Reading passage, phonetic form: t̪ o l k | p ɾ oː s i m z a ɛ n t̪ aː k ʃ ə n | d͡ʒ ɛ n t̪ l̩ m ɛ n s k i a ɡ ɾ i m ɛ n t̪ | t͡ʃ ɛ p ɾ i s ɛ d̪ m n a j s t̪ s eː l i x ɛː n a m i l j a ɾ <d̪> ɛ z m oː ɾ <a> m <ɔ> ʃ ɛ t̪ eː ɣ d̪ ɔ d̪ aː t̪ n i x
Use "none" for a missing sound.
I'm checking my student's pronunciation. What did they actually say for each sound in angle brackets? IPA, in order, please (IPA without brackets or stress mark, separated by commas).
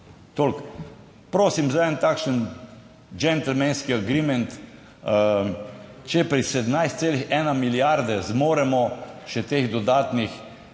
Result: d̪, ɛ, ɔ